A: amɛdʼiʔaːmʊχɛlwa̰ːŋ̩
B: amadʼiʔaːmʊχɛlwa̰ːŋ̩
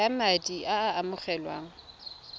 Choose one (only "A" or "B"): B